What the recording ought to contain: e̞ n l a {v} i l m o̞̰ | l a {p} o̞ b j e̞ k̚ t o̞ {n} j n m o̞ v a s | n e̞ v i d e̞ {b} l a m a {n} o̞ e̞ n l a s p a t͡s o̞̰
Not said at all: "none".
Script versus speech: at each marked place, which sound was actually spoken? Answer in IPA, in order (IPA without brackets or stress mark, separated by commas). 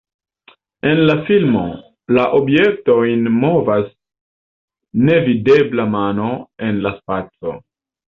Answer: f, ʔ, none, b, n